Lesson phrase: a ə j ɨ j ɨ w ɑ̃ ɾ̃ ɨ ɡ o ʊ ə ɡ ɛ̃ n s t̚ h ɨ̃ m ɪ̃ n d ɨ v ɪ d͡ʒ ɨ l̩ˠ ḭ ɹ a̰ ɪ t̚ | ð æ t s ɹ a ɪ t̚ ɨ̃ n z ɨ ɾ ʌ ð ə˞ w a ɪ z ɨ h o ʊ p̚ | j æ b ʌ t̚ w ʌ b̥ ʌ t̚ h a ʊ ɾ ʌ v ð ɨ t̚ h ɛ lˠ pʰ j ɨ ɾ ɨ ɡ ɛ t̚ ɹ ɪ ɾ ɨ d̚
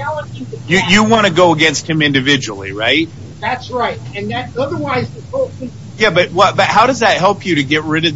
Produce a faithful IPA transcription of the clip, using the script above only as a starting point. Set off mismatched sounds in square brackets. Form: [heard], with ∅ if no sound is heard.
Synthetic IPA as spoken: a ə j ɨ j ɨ w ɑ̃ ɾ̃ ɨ ɡ o ʊ ə ɡ ɛ̃ n s t̚ h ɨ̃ m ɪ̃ n d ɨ v ɪ d͡ʒ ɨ l̩ˠ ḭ ɹ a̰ ɪ t̚ | ð æ t s ɹ a ɪ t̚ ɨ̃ n [ð] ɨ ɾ ʌ ð ə˞ w a ɪ z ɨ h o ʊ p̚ | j æ b ʌ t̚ w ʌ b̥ ʌ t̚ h a ʊ ɾ ʌ [z] ð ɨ t̚ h ɛ lˠ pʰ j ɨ ɾ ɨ ɡ ɛ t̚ ɹ ɪ ɾ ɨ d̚